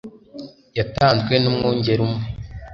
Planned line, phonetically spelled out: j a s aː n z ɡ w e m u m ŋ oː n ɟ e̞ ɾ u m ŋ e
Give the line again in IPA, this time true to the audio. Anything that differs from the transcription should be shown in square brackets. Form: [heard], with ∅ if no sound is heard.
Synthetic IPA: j a [t] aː n z ɡ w e [n] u m ŋ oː [ɲ] ɟ e̞ ɾ u m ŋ e